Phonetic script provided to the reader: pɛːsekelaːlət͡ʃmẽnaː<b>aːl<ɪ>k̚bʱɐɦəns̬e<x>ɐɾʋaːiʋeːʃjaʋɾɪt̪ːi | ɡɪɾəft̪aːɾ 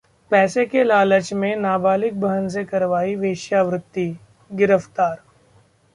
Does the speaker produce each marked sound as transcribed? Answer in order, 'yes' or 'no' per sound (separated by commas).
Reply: yes, yes, no